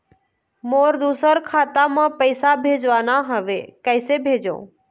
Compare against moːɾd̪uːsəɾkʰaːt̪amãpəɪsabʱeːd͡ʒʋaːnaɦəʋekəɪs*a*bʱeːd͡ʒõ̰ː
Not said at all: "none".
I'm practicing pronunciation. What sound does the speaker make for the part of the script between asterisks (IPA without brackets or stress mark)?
e